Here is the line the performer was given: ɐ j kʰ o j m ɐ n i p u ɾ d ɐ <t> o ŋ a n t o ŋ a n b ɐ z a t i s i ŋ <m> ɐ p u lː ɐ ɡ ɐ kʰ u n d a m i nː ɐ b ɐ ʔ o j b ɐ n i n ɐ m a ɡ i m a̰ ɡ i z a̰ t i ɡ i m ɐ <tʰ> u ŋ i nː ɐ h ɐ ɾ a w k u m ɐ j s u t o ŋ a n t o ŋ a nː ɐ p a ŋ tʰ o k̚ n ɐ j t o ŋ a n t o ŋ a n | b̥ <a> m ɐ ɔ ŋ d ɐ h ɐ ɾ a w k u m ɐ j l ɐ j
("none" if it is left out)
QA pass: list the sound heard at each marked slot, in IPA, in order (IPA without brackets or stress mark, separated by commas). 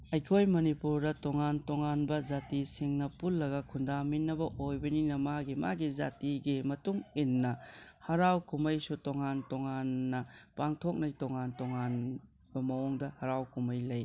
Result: t, n, t, ɐ